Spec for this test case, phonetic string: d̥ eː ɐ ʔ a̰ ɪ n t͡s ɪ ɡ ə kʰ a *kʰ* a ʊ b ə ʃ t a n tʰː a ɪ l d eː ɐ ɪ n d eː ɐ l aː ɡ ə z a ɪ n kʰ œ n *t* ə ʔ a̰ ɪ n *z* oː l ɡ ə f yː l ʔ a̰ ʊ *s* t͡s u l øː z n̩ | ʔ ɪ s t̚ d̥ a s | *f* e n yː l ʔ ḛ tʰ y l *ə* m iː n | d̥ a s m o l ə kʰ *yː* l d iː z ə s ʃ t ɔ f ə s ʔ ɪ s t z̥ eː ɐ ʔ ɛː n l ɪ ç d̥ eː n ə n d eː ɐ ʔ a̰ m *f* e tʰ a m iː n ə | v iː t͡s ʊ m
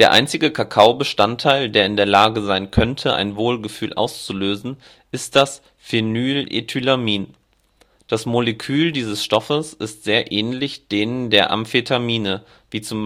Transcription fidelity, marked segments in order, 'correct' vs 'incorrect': correct, incorrect, incorrect, correct, correct, incorrect, correct, correct

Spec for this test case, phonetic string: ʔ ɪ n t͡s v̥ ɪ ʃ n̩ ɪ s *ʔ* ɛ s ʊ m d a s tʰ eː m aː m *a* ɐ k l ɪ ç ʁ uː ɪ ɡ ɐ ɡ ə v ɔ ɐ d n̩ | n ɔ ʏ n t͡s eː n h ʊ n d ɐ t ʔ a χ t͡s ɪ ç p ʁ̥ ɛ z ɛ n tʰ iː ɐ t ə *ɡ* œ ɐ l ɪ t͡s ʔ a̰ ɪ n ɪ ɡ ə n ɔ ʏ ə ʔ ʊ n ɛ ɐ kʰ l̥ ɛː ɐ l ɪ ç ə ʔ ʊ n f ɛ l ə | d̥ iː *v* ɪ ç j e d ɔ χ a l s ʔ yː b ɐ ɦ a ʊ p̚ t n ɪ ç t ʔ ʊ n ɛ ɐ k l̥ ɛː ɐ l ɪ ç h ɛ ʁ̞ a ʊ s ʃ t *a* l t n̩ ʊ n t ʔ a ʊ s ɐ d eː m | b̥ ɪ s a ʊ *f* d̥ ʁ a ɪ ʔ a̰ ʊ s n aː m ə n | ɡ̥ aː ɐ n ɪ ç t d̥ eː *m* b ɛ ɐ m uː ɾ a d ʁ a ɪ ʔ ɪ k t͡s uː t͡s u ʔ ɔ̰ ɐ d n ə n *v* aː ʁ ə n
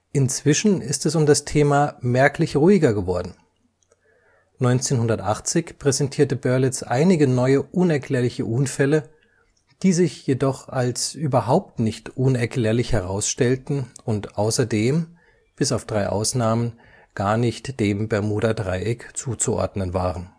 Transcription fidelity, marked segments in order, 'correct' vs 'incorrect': incorrect, incorrect, incorrect, incorrect, incorrect, correct, correct, correct

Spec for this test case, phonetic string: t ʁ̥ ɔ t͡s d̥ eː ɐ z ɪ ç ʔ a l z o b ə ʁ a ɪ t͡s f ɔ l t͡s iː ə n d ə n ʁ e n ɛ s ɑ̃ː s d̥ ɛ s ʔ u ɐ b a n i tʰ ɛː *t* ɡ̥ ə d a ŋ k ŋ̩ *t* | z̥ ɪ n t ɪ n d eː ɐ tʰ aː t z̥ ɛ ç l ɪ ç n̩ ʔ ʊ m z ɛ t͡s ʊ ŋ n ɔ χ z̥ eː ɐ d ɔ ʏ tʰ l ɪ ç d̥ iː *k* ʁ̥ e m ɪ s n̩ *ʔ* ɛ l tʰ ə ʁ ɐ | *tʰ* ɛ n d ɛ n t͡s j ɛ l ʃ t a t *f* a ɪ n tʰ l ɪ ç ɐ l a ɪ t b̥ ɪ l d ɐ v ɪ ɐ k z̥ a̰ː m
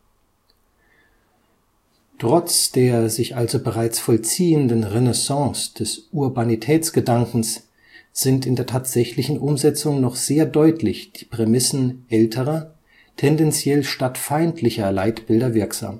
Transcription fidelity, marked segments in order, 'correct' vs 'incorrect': incorrect, incorrect, incorrect, correct, correct, correct

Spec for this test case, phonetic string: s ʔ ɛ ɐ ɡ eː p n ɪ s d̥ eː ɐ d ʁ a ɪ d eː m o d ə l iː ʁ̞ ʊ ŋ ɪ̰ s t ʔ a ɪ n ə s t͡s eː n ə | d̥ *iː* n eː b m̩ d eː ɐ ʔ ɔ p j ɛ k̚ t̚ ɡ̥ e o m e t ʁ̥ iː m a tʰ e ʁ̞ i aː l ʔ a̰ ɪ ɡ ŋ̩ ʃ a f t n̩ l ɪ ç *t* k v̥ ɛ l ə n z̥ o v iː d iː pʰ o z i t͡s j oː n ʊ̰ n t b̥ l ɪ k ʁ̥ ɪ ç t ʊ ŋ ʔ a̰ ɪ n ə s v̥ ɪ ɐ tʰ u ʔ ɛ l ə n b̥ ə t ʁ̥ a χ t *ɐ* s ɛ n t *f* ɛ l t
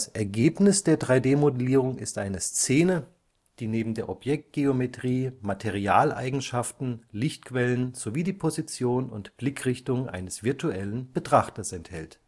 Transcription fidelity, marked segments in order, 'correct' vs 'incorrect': correct, correct, correct, incorrect

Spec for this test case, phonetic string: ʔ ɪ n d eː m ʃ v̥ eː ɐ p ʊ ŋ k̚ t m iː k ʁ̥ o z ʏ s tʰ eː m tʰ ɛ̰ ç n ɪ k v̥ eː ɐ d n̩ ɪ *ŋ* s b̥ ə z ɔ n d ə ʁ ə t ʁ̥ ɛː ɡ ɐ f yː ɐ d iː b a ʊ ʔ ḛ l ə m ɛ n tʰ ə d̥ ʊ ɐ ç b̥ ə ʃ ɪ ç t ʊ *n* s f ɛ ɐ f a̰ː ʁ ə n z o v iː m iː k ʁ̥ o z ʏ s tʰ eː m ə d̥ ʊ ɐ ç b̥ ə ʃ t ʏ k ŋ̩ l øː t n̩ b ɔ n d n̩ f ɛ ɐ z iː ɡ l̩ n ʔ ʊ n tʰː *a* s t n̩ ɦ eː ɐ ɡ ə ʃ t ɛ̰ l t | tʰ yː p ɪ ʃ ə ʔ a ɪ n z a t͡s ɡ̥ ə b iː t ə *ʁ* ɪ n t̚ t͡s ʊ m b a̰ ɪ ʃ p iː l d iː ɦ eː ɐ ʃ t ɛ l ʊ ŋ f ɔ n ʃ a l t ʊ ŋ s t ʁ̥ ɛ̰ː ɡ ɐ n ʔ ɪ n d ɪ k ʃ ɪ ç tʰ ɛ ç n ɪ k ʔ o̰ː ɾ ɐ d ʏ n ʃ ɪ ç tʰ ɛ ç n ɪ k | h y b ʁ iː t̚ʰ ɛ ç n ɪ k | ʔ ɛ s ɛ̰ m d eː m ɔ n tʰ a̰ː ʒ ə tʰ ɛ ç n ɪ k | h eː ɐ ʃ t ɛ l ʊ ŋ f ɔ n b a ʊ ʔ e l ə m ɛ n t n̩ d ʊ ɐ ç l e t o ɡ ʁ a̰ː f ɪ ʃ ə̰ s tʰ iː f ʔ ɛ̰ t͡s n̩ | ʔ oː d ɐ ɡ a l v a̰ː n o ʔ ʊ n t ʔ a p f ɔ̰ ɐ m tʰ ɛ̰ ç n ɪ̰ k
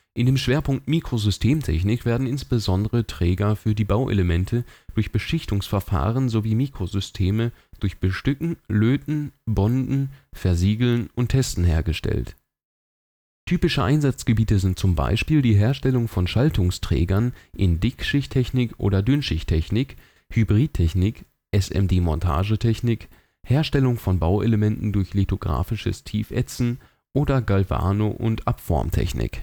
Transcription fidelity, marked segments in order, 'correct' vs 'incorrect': incorrect, incorrect, incorrect, incorrect

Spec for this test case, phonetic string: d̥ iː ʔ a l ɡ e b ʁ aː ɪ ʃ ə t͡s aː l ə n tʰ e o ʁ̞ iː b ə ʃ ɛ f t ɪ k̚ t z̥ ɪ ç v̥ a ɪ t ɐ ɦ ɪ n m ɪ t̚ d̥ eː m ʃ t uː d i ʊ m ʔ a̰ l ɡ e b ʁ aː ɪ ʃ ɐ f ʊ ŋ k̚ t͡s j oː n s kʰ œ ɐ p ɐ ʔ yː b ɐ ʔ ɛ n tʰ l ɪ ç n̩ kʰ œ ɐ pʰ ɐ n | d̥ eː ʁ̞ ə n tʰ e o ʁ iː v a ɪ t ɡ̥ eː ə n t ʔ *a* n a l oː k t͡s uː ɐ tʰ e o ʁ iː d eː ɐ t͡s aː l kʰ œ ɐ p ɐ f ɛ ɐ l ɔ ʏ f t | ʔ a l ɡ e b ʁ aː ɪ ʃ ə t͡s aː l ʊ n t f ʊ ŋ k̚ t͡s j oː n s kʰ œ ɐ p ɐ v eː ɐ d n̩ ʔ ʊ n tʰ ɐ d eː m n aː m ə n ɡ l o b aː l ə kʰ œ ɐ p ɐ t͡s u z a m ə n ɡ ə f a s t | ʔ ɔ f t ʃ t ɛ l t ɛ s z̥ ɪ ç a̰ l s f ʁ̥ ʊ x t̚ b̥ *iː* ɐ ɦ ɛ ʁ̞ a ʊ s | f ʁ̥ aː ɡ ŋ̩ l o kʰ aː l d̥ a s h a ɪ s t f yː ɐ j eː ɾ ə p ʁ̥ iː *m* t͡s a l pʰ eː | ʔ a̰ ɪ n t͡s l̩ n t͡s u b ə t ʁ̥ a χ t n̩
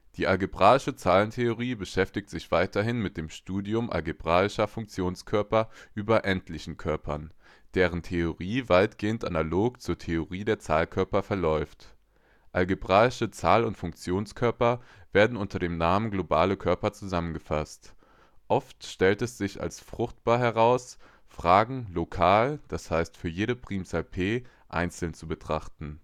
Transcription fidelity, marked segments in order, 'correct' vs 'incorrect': correct, incorrect, correct

